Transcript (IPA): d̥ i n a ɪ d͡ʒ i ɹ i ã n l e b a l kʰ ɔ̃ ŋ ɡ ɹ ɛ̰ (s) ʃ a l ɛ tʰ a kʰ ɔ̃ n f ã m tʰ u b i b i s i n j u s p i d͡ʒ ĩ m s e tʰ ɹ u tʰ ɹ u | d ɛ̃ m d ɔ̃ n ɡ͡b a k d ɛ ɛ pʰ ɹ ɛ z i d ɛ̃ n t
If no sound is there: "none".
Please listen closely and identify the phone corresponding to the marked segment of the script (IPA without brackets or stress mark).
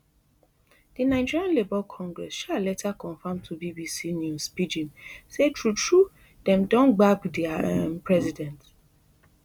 s